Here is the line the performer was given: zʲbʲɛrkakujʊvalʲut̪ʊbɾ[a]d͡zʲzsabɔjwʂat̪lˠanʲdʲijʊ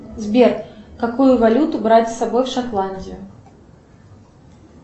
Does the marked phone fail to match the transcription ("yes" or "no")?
no